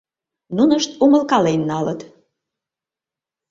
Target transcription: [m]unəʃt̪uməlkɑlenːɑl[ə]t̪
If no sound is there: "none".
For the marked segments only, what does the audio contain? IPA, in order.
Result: n, ə

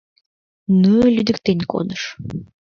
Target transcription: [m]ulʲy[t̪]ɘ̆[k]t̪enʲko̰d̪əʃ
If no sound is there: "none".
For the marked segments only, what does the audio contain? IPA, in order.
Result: n, d̪, k

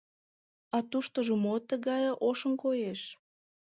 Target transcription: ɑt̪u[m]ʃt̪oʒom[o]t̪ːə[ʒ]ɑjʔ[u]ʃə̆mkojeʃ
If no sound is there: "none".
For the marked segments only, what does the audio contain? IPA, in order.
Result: none, o, ɣ, o

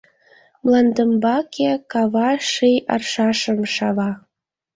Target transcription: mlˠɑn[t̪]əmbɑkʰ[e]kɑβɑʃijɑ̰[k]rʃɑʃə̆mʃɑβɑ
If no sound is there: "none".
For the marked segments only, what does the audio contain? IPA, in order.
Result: d̪, e, none

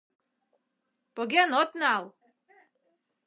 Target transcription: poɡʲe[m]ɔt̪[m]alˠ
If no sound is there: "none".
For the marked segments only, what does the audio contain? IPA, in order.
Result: n, n

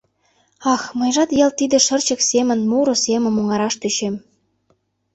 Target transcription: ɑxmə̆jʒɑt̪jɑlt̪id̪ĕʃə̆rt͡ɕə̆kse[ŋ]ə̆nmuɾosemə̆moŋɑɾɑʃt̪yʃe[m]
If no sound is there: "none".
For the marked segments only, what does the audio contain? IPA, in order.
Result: m, m

